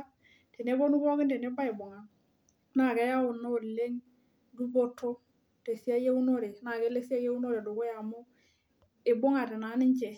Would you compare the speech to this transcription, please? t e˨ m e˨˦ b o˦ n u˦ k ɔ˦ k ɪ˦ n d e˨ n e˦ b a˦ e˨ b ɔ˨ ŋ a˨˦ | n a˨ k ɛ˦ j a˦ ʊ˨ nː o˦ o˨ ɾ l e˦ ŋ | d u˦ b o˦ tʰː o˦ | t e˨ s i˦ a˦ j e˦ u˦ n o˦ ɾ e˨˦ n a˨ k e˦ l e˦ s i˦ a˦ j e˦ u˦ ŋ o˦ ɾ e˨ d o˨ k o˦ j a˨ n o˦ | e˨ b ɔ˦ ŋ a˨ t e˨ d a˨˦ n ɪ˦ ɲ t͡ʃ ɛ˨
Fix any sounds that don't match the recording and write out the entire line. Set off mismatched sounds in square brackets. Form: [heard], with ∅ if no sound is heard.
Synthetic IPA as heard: t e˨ [n] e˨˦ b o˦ n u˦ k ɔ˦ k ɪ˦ n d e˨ n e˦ b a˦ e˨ b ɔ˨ ŋ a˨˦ | n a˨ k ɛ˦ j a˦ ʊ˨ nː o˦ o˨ [∅] l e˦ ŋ | d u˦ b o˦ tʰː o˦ | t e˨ s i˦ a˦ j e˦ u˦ n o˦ ɾ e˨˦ n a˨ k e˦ l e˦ s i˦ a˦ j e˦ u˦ [n] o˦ ɾ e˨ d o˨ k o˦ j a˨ [m] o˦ | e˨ b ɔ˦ ŋ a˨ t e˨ [n] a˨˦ n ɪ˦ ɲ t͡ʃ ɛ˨